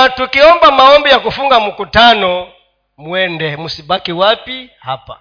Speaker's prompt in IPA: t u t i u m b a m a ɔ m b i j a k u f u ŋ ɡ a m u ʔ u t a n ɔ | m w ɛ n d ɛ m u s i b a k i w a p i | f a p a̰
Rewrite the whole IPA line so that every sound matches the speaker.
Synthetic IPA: t u k i ɔ m b a m a ɔ m b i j a k u f u ŋ ɡ a m u k u t a n ɔ | m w ɛ n d ɛ m u s i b a k i w a p i | h a p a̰